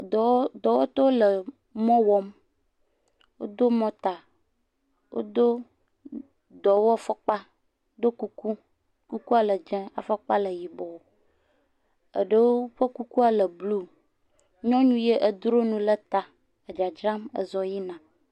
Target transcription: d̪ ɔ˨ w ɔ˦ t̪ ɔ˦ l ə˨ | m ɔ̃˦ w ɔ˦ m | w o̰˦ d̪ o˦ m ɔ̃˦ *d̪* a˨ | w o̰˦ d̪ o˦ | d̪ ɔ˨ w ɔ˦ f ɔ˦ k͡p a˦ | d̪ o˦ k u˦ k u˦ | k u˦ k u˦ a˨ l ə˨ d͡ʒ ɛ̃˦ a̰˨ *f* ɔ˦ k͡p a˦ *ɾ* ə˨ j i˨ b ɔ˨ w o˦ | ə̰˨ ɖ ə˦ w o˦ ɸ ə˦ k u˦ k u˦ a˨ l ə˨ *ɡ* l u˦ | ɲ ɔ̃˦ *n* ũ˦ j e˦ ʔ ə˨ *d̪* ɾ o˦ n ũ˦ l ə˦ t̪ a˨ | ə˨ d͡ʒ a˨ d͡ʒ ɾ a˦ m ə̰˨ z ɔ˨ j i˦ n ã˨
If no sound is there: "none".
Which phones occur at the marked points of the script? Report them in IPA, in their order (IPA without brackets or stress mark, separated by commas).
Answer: t̪, f, l, b, ɲ, d̪